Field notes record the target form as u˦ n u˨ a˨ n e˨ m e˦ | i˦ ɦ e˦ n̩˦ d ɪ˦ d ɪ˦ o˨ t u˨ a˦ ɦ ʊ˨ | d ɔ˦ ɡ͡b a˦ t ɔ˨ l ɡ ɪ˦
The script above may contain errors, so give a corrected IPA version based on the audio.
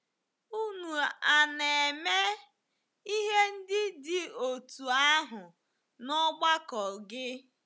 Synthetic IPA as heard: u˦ n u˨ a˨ n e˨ m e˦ | i˦ ɦ e˦ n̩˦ d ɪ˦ d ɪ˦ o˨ t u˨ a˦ ɦ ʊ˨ | n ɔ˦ ɡ͡b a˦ k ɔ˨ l ɡ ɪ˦

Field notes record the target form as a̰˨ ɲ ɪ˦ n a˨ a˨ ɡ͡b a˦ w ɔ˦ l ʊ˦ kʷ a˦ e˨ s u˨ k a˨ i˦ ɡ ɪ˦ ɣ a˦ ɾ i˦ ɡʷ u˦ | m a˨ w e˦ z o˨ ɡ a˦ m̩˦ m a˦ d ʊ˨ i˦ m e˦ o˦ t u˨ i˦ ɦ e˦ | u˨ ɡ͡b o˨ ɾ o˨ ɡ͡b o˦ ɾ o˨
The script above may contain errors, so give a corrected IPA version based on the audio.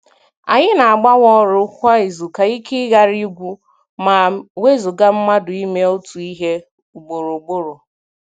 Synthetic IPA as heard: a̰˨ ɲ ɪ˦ n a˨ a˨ ɡ͡b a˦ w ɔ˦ ɾ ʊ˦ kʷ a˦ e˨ z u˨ k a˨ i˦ k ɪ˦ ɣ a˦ ɾ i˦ ɡʷ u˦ | m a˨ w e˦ z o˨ ɡ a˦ m̩˦ m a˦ d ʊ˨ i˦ m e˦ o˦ t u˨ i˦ ɦ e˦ | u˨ ɡ͡b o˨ ɾ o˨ ɡ͡b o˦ ɾ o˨

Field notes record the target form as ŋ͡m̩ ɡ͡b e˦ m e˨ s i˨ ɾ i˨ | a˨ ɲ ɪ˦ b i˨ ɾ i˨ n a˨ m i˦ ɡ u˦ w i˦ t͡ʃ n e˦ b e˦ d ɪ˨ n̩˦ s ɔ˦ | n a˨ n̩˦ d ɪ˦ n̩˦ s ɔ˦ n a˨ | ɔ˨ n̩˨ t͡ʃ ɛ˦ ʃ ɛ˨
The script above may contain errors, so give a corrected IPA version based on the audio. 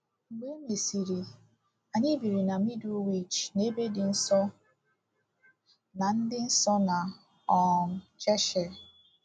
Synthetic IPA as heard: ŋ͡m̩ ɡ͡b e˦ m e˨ s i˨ ɾ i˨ | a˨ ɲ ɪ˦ b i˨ ɾ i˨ n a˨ m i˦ d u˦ w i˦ t͡ʃ n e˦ b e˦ d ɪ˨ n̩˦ s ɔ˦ | n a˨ n̩˦ d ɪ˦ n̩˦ s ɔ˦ n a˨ | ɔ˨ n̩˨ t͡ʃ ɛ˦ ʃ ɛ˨

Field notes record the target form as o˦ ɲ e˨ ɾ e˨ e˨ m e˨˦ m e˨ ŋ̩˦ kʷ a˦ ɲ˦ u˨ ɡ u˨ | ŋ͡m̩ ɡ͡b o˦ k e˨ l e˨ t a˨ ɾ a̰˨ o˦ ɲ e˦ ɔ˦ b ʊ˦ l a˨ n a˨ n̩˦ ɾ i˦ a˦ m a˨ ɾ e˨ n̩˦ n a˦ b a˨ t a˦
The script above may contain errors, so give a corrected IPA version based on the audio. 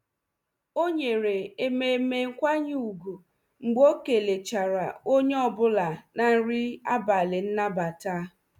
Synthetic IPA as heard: o˦ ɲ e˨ ɾ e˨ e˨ m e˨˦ m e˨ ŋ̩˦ kʷ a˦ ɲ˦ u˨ ɡ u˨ | ŋ͡m̩ ɡ͡b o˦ k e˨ l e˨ t͡ʃ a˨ ɾ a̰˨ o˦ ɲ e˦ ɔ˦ b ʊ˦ l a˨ n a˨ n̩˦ ɾ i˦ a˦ b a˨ l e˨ n̩˦ n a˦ b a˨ t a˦

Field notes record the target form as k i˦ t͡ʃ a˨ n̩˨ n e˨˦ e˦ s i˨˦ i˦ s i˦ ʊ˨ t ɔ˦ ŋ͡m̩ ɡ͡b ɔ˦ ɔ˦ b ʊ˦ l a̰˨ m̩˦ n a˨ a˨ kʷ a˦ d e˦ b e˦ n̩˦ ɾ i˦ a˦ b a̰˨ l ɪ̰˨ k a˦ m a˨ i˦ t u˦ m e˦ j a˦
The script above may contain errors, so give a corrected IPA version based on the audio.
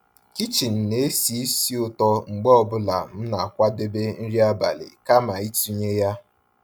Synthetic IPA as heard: k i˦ t͡ʃ i˨ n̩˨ n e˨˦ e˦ s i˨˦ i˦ s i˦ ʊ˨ t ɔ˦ ŋ͡m̩ ɡ͡b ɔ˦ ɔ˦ b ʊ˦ l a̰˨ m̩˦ n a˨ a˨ kʷ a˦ d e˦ b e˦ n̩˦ ɾ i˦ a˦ b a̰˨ l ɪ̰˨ k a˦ m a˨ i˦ t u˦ ɲ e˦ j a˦

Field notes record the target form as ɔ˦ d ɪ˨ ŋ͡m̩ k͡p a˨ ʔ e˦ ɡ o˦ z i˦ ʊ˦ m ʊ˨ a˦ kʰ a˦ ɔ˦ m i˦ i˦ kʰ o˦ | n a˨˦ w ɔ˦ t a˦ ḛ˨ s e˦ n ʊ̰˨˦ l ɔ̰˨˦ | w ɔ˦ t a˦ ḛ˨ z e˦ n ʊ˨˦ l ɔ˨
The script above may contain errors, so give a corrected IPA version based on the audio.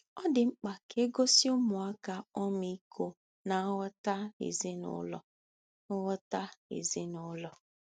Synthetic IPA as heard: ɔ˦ d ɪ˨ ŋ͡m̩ k͡p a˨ k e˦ ɡ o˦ s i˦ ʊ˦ m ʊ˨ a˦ k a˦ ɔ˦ m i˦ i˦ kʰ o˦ | n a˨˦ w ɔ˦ t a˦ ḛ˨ z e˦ n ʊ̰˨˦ l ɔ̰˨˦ | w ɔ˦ t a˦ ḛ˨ z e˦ n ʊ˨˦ l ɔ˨

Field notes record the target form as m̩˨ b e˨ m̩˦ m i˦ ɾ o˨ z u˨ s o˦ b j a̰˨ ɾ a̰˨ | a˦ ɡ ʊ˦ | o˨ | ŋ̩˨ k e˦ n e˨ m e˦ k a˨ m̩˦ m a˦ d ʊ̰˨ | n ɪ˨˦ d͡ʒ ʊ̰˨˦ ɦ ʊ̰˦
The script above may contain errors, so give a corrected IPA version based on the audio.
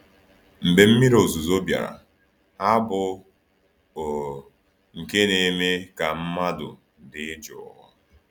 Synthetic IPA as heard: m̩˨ b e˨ m̩˦ m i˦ ɾ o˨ z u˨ z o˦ b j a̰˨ ɾ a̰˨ | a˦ b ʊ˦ | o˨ | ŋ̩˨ k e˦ n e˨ m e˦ k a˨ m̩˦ m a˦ d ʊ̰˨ | d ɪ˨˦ d͡ʒ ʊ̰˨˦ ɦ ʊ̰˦

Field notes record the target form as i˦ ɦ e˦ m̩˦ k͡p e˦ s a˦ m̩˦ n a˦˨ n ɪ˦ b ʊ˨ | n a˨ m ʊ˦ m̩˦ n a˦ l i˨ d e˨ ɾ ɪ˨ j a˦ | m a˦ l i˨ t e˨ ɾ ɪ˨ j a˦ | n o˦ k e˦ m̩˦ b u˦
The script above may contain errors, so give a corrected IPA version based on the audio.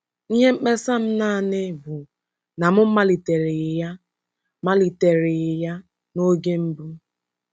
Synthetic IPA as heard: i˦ ɦ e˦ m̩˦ k͡p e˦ s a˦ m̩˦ n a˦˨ n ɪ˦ b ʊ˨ | n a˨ m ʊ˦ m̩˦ m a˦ l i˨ t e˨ ɾ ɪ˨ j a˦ | m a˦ l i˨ t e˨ ɾ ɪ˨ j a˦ | n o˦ ɡ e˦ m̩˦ b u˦

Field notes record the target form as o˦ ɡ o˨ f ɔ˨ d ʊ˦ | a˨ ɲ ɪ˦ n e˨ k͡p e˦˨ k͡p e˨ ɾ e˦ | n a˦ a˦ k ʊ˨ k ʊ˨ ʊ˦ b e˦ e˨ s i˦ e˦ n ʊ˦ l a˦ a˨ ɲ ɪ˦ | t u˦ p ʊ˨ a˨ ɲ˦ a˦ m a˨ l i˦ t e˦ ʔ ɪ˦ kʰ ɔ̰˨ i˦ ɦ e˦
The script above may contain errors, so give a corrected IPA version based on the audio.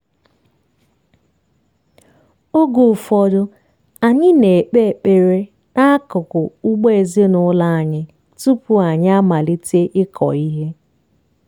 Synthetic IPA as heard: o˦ ɡ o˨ f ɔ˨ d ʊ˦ | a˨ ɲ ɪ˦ n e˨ k͡p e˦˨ k͡p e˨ ɾ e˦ | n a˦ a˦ k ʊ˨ k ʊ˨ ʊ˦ ɡ͡b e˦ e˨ z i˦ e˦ n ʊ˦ l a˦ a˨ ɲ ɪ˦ | t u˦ p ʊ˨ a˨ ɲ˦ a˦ m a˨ l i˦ t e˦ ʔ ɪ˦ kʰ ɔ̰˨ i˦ ɦ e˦

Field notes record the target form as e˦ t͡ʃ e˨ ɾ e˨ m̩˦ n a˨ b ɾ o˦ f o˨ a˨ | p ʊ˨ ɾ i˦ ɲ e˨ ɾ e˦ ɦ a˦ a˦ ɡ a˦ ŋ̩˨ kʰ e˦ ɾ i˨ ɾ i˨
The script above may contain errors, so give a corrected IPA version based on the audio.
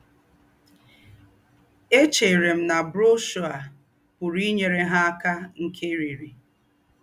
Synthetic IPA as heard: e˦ t͡ʃ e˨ ɾ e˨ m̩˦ n a˨ b ɾ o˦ ʃ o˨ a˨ | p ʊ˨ ɾ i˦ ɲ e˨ ɾ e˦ ɦ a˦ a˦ k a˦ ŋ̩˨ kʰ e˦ ɾ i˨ ɾ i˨

